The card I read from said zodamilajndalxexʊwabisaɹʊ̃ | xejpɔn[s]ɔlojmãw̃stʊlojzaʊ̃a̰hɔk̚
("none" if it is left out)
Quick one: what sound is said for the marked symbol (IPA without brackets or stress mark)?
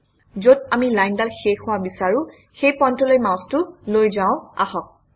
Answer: t